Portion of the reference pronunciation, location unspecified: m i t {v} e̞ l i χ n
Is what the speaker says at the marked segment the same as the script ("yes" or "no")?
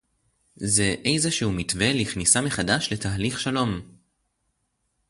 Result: yes